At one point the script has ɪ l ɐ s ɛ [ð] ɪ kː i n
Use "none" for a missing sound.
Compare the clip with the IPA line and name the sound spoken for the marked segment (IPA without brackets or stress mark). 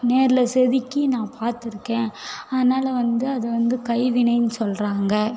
ð